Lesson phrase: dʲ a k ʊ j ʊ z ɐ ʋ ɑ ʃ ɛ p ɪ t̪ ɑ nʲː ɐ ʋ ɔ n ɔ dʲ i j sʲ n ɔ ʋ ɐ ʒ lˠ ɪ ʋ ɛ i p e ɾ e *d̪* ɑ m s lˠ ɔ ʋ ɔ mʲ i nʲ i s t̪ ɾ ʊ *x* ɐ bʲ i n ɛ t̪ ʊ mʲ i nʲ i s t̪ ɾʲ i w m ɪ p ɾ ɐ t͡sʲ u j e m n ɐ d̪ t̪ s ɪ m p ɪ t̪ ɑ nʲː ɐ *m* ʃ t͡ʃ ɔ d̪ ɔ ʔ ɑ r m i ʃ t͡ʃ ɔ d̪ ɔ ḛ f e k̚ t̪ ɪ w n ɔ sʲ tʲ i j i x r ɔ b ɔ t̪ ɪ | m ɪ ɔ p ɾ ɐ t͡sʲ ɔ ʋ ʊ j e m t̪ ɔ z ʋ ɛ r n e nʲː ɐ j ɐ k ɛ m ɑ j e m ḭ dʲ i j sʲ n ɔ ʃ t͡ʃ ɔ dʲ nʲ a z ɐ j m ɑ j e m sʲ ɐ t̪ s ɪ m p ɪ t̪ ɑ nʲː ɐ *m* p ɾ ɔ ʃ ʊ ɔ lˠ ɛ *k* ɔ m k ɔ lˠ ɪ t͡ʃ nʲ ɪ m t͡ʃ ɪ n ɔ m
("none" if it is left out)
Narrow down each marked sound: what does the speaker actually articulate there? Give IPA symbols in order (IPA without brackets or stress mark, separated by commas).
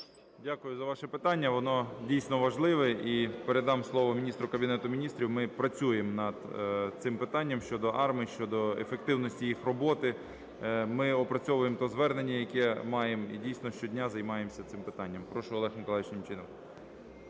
d̪, k, m, m, x